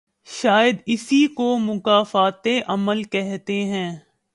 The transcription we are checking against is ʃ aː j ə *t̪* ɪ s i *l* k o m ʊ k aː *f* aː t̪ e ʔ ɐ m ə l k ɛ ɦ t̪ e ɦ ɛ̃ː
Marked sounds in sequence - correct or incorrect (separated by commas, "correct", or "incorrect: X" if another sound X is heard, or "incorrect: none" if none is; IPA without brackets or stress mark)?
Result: incorrect: d̪, incorrect: none, correct